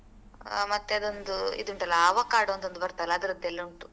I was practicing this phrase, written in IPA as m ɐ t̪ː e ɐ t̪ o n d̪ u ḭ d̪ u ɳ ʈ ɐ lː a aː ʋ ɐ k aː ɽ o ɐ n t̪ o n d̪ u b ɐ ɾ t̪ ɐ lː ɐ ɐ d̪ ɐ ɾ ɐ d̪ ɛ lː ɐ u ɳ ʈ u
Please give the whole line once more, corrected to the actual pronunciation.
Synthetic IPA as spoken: m ɐ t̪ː e ɐ d̪ o n d̪ u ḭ d̪ u ɳ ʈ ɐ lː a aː ʋ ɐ k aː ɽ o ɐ n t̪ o n d̪ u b ɐ ɾ t̪ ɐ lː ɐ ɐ d̪ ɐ ɾ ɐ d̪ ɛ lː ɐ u ɳ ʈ u